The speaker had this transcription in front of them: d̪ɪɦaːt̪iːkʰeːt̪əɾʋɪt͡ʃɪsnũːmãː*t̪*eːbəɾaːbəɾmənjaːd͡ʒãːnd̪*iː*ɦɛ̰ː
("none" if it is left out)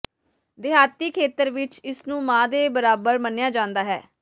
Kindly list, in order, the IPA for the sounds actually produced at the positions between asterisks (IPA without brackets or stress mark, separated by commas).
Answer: d̪, aː